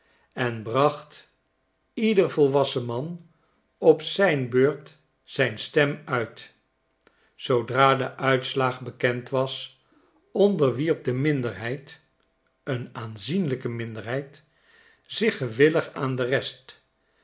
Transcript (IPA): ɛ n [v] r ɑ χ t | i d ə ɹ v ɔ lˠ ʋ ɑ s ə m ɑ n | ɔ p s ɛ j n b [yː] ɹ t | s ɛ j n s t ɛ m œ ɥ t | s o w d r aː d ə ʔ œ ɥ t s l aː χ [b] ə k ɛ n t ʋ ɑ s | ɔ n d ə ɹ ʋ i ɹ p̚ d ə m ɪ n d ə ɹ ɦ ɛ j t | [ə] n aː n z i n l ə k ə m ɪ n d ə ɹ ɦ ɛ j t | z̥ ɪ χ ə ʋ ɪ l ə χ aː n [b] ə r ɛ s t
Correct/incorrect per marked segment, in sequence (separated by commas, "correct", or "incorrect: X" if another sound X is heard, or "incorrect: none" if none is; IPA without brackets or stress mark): incorrect: b, incorrect: øː, correct, correct, incorrect: d